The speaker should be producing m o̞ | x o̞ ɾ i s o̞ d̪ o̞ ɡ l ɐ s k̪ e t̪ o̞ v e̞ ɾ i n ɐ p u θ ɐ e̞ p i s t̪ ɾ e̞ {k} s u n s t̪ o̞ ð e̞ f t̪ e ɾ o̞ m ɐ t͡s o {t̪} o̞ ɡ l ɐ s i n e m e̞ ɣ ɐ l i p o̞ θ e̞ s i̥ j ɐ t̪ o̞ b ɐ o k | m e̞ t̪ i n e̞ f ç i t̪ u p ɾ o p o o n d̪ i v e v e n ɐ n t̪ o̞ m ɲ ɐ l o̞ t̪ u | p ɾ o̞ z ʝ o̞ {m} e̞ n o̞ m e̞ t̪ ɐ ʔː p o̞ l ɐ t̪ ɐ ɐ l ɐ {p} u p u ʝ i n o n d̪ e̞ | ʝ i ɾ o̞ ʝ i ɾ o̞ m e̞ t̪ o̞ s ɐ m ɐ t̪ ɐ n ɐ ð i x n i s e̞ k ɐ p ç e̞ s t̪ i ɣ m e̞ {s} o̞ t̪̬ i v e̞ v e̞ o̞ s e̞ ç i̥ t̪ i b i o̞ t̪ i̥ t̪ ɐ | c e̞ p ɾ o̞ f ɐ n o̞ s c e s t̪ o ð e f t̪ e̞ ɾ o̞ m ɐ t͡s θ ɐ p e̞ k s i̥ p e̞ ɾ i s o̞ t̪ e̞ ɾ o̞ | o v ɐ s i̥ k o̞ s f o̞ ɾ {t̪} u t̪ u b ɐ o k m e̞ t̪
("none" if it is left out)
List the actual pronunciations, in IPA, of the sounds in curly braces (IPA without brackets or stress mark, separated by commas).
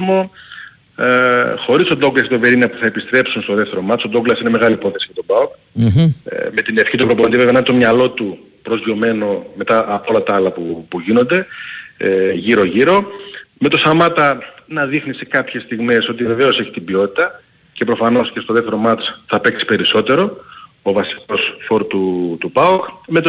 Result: p, d̪, m, p, s, t̪